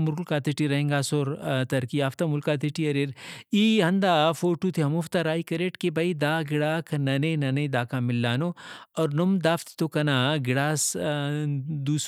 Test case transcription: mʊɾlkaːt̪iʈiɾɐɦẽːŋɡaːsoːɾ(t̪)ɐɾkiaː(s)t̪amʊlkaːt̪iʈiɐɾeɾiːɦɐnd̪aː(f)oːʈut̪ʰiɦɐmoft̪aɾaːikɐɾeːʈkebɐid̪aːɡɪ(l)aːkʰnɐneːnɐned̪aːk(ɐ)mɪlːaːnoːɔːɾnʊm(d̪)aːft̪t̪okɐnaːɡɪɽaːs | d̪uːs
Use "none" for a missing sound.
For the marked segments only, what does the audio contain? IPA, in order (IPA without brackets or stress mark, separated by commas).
t̪, f, f, ɽ, a, d̪